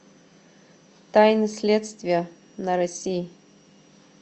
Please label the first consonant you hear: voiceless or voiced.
voiceless